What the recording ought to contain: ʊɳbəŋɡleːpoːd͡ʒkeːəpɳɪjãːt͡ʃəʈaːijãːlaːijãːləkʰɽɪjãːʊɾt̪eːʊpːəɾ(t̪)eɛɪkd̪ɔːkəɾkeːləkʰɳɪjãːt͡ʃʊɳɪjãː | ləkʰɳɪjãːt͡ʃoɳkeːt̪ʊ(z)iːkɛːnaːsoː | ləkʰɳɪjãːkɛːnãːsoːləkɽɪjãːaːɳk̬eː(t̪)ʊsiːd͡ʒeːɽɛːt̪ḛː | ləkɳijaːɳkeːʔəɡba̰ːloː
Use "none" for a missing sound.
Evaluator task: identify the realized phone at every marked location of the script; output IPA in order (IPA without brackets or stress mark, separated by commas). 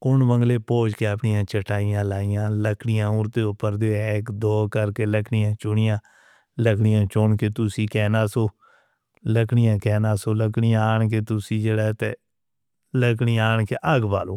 d̪, s, t̪